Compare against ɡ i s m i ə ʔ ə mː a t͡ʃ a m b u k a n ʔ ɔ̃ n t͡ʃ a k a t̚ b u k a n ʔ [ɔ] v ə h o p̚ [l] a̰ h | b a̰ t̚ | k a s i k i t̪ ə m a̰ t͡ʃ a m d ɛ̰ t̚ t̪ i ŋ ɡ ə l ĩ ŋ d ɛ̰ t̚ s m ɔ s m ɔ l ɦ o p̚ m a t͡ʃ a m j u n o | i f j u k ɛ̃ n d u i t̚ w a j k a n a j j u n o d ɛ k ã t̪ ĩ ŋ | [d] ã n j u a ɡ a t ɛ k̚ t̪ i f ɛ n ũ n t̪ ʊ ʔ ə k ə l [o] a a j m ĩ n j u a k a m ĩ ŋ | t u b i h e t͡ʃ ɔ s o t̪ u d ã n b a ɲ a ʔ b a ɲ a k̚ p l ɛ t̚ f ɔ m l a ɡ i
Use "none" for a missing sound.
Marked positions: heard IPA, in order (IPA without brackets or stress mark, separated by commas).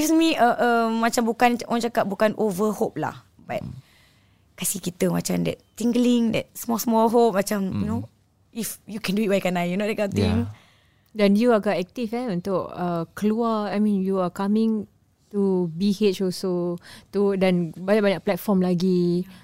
o, l, d, u